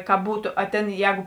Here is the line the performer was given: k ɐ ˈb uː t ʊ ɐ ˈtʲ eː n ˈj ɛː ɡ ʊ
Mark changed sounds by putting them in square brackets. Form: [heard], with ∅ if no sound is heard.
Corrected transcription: k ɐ ˈb uː t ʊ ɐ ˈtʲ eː n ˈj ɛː ɡ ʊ

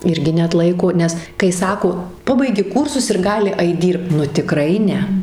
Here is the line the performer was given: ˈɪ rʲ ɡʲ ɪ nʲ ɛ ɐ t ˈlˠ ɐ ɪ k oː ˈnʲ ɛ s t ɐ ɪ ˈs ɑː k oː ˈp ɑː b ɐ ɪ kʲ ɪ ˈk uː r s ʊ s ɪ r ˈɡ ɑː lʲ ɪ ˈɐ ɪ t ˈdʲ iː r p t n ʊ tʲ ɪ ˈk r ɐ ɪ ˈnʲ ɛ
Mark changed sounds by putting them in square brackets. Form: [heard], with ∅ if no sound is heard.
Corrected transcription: ˈɪ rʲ ɡʲ ɪ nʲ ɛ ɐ t ˈlˠ ɐ ɪ k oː ˈnʲ ɛ s [k] ɐ ɪ ˈs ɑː k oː ˈp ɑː b ɐ ɪ [ɡʲ] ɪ ˈk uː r s ʊ s ɪ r ˈɡ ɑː lʲ ɪ ˈɐ ɪ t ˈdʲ iː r p t n ʊ tʲ ɪ ˈk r ɐ ɪ ˈnʲ ɛ

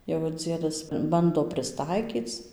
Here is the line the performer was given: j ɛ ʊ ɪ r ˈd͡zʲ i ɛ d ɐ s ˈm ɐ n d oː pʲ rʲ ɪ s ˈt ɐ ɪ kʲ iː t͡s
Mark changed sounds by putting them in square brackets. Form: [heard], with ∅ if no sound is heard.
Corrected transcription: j ɛ ʊ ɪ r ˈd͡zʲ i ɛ d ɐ s [ˈb] ɐ n d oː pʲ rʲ ɪ s ˈt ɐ ɪ kʲ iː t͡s

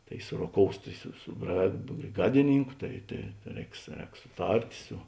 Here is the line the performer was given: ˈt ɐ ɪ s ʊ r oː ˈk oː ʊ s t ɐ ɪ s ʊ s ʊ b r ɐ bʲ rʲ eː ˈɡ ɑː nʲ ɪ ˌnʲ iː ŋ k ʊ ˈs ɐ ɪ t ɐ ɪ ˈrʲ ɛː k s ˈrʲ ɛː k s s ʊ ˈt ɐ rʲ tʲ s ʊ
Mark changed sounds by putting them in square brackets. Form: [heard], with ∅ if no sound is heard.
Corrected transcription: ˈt ɐ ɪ s ʊ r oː ˈk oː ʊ s t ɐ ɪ s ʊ s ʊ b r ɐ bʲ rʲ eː ˈɡ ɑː [dʲ] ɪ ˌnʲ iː ŋ k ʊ [ˈt] ɐ ɪ t ɐ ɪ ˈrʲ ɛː k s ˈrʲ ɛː k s s ʊ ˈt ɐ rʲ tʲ s ʊ

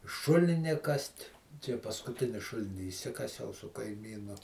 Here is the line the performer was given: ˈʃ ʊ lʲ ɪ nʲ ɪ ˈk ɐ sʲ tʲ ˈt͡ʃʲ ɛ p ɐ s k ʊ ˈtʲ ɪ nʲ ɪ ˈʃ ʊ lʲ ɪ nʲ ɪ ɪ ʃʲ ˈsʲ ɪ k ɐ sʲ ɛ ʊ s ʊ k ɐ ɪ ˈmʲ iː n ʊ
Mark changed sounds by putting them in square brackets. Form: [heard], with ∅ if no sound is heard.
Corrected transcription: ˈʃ ʊ lʲ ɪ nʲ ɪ ˈk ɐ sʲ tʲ ˈt͡ʃʲ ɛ p ɐ s k ʊ ˈtʲ ɪ nʲ ɪ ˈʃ ʊ lʲ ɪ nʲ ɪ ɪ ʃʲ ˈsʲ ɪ k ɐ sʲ ɛ ʊ s ʊ k ɐ ɪ ˈmʲ iː n ʊ

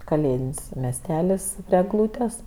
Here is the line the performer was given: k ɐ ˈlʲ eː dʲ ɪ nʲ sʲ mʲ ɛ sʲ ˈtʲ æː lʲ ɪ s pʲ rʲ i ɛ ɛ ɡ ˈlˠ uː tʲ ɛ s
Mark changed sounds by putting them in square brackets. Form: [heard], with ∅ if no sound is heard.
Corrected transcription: k ɐ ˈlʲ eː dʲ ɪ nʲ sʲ mʲ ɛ sʲ ˈtʲ æː lʲ ɪ s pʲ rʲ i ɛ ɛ ɡ ˈlˠ uː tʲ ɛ s

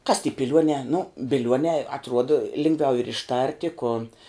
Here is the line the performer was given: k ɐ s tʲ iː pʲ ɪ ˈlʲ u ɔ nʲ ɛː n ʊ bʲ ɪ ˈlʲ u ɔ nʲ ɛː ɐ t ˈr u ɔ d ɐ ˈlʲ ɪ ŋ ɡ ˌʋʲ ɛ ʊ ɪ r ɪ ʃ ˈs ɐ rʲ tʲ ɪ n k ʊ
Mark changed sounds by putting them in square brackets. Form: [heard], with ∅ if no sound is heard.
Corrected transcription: k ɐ s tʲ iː pʲ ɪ ˈlʲ u ɔ nʲ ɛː n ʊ bʲ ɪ ˈlʲ u ɔ nʲ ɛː ɐ t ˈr u ɔ d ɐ ˈlʲ ɪ ŋ ɡ ˌʋʲ ɛ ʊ ɪ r ɪ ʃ [ˈt] ɐ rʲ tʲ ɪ [∅] k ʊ

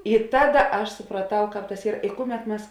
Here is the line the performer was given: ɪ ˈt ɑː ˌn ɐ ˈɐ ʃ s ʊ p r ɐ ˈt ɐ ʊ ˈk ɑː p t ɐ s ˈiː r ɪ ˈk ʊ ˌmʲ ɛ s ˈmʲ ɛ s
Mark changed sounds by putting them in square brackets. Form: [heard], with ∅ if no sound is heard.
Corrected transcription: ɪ ˈt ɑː [ˌd] ɐ ˈɐ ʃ s ʊ p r ɐ ˈt ɐ ʊ ˈk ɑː p t ɐ s ˈiː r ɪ ˈk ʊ ˌmʲ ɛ [t] ˈmʲ ɛ s

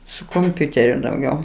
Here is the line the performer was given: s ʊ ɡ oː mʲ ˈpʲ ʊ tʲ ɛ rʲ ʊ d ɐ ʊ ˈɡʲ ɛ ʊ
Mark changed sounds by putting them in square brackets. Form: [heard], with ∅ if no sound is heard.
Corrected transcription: s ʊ [k] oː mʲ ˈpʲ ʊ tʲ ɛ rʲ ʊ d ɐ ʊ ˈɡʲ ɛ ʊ

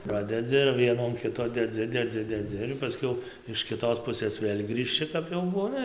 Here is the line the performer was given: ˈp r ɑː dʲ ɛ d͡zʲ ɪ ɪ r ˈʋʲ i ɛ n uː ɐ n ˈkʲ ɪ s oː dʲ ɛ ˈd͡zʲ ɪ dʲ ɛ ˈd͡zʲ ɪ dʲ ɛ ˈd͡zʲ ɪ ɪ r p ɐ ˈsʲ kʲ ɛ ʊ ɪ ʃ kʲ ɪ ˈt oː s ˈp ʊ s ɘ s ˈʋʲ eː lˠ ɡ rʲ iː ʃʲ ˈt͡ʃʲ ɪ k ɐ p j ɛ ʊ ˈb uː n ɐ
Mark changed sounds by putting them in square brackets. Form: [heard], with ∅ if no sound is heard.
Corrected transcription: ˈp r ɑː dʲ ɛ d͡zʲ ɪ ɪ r ˈʋʲ i ɛ n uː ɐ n ˈkʲ ɪ [t] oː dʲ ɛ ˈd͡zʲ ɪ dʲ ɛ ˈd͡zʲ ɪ dʲ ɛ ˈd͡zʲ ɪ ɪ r p ɐ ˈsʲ kʲ ɛ ʊ ɪ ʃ kʲ ɪ ˈt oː s ˈp ʊ s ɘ s ˈʋʲ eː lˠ ɡ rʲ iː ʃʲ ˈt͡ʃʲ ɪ k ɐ p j ɛ ʊ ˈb uː n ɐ

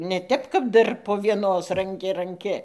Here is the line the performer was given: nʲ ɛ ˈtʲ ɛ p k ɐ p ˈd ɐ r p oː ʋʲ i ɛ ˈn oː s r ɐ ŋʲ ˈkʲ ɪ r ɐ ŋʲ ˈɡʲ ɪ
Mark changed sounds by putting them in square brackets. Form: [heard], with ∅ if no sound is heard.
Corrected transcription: nʲ ɛ ˈtʲ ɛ p k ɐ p ˈd ɐ r p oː ʋʲ i ɛ ˈn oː s r ɐ ŋʲ ˈkʲ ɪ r ɐ ŋʲ [ˈkʲ] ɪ

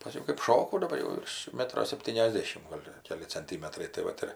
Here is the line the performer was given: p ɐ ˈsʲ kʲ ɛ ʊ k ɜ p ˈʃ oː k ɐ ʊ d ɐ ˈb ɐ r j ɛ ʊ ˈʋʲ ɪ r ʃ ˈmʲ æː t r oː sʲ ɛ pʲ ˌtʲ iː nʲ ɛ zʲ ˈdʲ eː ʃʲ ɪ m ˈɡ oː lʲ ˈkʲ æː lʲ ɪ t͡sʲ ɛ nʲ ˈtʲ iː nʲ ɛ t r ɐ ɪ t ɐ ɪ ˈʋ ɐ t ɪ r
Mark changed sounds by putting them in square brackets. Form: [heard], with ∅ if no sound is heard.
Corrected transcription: p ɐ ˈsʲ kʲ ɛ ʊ k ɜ p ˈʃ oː k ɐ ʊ d ɐ ˈb ɐ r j ɛ ʊ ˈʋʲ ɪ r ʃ ˈmʲ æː t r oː sʲ ɛ pʲ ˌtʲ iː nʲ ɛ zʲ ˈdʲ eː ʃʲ ɪ m ˈɡ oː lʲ ˈkʲ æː lʲ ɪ t͡sʲ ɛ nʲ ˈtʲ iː [mʲ] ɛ t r ɐ ɪ t ɐ ɪ ˈʋ ɐ t ɪ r

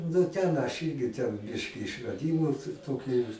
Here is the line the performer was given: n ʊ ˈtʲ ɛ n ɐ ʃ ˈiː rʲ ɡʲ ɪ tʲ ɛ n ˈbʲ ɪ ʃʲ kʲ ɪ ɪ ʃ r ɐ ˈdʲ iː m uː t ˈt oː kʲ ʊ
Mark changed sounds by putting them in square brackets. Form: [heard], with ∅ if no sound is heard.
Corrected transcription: n ʊ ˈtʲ ɛ n ɐ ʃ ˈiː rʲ ɡʲ ɪ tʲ ɛ n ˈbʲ ɪ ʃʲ kʲ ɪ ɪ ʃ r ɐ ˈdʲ iː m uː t ˈt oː kʲ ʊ

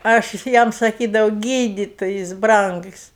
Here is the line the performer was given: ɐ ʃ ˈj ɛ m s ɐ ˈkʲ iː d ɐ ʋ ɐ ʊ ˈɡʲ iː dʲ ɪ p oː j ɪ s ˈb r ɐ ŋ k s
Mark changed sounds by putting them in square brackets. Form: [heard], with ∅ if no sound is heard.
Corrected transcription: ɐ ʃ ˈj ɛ m s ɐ ˈkʲ iː d ɐ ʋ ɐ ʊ ˈɡʲ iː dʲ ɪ [t] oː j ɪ s ˈb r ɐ ŋ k s

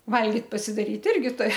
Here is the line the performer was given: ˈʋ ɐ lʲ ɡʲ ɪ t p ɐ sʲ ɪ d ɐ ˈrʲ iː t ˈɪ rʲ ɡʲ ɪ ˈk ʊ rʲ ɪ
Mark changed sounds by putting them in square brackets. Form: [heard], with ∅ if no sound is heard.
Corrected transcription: ˈʋ ɐ lʲ ɡʲ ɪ t p ɐ sʲ ɪ d ɐ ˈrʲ iː t ˈɪ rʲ ɡʲ ɪ [ˈt] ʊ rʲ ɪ

